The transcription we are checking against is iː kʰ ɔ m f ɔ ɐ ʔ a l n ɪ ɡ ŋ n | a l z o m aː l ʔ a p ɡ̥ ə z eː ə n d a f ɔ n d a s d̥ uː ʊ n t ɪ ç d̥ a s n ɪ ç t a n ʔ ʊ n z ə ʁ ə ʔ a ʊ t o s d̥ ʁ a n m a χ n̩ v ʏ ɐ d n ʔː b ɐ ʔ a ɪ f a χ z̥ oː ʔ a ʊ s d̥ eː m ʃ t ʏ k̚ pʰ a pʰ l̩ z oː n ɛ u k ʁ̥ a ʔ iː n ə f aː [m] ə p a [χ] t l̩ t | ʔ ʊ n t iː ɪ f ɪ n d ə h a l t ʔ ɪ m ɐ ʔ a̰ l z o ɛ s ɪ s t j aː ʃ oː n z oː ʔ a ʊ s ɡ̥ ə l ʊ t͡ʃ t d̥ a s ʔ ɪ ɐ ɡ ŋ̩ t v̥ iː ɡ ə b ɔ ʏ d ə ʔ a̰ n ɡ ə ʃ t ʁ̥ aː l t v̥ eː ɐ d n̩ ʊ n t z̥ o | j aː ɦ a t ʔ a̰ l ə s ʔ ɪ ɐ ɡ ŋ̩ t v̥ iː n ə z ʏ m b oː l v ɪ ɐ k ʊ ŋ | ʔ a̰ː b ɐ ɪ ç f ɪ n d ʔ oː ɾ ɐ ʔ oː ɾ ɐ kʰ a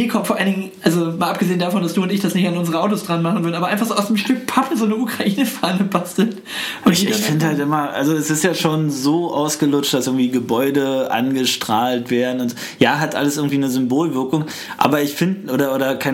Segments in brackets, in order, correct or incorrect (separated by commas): incorrect, incorrect